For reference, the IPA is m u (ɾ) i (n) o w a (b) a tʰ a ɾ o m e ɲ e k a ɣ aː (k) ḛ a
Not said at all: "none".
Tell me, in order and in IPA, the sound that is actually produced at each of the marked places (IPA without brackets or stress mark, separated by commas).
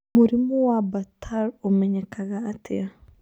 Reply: ɾ, m, b, t